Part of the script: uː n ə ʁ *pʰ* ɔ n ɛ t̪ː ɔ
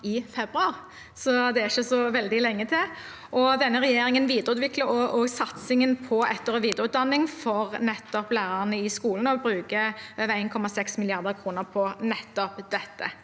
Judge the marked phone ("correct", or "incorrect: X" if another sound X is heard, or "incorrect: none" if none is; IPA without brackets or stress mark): correct